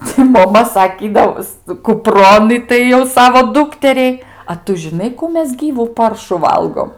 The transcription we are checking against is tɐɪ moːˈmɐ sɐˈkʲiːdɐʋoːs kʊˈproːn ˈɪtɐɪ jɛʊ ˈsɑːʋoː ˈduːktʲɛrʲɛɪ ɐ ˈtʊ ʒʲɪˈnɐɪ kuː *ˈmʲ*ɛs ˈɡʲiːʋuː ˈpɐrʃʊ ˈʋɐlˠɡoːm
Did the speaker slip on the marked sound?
no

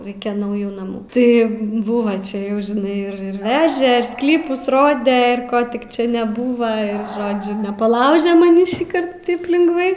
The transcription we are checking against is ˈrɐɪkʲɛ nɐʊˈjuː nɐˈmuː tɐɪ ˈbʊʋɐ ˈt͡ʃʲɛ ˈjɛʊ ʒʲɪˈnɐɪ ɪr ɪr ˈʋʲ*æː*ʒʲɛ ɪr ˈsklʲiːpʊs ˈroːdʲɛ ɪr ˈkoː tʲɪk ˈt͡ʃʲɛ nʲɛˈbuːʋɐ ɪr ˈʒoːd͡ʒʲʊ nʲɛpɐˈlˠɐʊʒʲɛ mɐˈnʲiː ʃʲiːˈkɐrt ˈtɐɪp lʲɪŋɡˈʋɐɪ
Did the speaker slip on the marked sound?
no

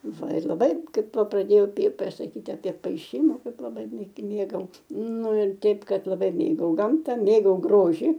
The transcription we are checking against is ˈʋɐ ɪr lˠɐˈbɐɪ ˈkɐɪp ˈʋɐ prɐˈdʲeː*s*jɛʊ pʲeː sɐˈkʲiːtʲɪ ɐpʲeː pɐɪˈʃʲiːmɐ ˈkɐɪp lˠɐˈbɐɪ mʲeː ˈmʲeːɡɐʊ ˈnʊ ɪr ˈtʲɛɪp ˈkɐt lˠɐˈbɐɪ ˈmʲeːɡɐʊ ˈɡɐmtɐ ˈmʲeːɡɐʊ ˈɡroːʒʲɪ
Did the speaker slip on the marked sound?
yes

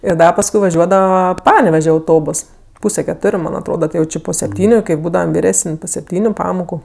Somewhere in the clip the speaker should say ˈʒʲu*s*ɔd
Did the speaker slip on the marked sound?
yes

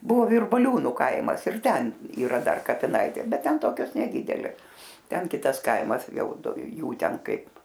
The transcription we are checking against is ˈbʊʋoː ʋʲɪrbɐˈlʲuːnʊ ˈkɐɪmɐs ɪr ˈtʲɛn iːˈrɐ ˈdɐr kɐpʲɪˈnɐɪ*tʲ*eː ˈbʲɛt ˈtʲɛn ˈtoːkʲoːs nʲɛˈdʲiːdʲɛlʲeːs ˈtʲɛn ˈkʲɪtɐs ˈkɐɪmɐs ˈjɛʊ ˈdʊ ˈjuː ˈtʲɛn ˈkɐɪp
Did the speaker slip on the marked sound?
no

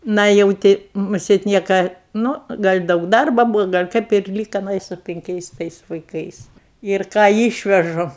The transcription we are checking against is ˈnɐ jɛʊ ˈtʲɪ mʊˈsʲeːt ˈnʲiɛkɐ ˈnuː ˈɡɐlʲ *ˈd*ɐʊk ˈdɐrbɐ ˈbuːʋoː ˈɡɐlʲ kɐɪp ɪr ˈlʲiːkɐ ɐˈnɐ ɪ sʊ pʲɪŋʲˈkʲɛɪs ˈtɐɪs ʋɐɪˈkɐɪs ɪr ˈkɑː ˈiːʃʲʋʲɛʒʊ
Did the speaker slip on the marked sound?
no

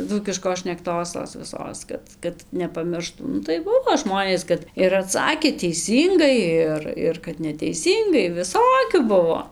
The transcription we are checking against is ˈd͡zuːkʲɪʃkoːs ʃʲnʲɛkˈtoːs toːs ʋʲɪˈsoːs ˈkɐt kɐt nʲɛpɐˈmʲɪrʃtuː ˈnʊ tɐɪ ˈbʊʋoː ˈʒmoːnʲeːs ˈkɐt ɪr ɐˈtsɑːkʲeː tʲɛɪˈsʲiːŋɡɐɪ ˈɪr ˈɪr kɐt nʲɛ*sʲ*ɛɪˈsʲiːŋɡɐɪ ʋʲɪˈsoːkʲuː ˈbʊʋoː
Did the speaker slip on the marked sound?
yes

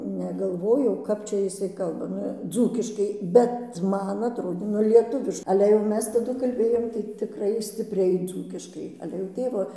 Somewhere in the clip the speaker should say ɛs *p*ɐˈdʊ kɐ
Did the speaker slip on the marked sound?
yes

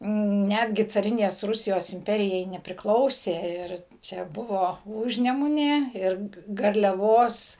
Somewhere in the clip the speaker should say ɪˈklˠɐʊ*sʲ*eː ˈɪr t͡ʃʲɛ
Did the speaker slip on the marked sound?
no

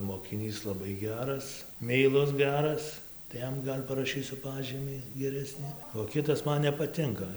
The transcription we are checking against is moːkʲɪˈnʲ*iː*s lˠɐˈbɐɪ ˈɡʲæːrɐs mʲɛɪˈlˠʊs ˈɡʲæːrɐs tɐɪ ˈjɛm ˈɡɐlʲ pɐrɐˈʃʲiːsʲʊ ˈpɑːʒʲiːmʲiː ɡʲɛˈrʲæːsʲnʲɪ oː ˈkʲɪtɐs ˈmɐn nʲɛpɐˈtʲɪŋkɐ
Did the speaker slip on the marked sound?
no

